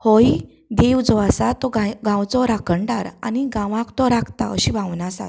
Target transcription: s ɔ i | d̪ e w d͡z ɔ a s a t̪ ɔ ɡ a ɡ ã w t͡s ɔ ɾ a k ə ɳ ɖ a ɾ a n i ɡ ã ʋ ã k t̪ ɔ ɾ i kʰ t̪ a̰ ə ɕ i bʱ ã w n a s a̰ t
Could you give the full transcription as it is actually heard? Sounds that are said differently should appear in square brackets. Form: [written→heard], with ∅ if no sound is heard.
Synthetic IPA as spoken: [s→h] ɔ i | d̪ e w d͡z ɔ a s a t̪ ɔ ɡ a ɡ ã w t͡s ɔ ɾ a k ə ɳ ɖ a ɾ a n i ɡ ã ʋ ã k t̪ ɔ ɾ [i→a] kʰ t̪ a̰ ə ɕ i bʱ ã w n a s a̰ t